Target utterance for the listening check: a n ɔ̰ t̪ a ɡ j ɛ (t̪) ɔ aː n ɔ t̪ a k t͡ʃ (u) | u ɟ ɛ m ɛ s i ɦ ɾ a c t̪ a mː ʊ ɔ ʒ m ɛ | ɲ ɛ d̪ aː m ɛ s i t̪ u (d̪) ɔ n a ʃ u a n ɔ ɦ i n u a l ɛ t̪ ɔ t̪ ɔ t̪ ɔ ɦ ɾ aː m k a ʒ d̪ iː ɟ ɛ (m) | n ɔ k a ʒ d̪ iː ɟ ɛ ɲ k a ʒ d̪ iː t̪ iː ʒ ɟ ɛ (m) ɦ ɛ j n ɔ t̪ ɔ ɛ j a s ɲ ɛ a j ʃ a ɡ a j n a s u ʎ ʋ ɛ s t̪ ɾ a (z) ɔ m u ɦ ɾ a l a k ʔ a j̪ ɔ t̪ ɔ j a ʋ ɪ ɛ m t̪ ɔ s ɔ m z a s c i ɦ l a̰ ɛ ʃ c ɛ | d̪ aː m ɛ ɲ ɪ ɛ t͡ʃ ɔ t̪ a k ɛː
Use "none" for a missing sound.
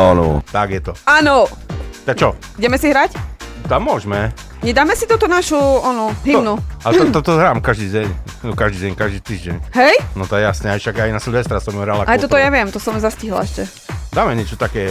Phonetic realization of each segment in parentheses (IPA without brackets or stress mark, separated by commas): t̪, ɔ, t̪, ɲ, ɲ, s